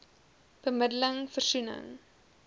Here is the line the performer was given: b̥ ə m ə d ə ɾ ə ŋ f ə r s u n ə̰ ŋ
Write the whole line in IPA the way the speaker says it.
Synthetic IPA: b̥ ə m ə d ə l ə ŋ f ə r s u n ə̰ ŋ

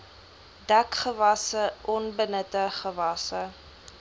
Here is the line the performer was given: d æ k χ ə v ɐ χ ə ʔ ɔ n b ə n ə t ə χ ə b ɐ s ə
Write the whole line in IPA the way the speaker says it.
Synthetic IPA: d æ k χ ə v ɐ s ə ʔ ɔ n b ə n ə t ə χ ə v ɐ s ə

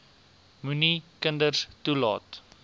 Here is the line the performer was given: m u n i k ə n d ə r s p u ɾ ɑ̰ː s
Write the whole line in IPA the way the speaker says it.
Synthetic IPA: m u n i k ə n d ə r s t u l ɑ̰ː t

